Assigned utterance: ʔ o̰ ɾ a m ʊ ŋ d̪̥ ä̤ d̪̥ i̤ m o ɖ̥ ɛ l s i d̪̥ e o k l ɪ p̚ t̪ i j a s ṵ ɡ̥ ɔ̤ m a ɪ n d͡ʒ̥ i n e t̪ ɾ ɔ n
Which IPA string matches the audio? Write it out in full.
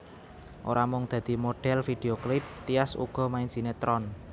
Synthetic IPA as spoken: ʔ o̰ ɾ a m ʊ ŋ d̪̥ ä̤ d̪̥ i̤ m o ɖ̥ ɛ l f i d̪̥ e o k l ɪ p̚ t̪ i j a s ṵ ɡ̥ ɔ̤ m a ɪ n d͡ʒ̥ i n e t̪ ɾ ɔ n